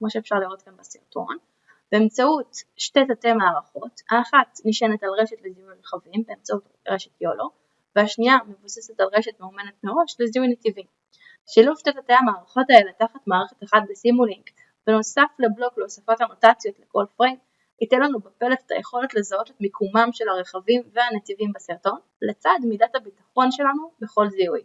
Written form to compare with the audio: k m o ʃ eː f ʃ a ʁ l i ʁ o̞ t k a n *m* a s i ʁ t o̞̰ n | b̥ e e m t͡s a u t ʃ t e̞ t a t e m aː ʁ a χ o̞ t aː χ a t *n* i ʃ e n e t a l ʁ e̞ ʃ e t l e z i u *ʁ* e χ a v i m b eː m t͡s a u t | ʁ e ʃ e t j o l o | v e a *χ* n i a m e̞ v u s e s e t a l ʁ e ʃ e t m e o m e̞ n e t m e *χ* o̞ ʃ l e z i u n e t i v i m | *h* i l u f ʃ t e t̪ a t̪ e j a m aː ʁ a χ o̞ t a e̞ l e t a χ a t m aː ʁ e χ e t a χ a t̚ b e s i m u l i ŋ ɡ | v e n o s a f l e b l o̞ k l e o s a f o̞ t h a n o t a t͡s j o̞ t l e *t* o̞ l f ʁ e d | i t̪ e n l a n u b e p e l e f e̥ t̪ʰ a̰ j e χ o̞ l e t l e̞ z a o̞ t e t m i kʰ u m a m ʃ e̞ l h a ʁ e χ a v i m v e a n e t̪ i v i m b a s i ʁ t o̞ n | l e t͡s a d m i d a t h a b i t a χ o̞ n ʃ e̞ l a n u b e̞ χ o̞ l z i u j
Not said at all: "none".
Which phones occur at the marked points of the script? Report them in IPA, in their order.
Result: b, n, ʁ, ʃ, ʁ, ʃ, k

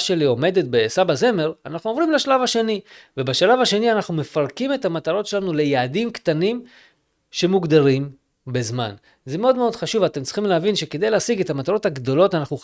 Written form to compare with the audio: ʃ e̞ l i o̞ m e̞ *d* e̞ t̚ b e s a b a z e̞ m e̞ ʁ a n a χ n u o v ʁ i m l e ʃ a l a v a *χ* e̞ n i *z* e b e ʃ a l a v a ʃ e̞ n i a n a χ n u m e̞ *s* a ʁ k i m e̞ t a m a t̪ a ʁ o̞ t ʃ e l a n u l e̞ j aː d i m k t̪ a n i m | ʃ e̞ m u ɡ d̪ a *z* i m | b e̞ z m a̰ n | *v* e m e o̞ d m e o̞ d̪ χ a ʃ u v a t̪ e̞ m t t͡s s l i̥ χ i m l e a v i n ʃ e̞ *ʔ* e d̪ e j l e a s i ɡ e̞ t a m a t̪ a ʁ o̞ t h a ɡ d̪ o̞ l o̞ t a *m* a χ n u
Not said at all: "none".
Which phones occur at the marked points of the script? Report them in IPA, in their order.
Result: d, ʃ, v, f, ʁ, z, k, n

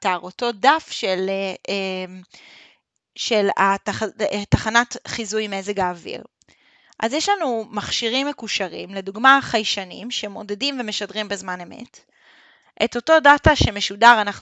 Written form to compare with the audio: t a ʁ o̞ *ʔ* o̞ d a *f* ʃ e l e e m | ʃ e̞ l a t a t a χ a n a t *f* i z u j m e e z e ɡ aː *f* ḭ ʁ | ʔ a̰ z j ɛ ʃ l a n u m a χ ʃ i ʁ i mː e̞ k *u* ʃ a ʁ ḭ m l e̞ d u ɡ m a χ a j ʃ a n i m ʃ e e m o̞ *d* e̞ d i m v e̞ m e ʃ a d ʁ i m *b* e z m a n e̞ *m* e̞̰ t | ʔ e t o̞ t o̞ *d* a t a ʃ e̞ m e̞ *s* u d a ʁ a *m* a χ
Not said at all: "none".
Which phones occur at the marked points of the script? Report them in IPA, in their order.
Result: t, f, χ, v, u, d, b, m, d, ʃ, n

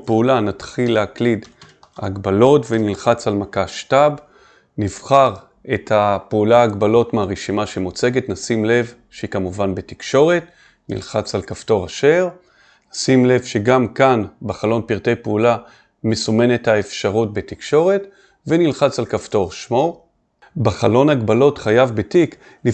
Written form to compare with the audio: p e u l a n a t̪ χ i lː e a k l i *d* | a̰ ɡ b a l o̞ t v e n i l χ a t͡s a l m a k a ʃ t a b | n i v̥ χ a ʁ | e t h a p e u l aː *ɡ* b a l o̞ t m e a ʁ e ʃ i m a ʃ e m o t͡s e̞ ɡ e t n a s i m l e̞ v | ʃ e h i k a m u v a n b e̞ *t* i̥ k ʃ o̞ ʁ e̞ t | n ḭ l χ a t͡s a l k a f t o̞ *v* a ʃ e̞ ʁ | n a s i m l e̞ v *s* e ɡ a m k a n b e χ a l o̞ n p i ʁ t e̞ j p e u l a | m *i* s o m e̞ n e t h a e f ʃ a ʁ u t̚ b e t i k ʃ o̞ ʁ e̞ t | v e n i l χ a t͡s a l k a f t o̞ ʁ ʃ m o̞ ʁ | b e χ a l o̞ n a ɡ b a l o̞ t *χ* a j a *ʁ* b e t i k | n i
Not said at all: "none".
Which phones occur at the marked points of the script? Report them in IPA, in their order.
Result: d, ɡ, t, ʁ, ʃ, e, χ, v

